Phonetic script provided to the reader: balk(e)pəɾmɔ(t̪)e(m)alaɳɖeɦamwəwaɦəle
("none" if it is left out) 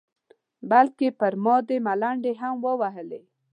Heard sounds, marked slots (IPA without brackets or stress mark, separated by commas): e, d̪, m